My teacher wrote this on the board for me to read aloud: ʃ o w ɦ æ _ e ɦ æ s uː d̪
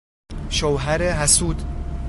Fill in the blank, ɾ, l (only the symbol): ɾ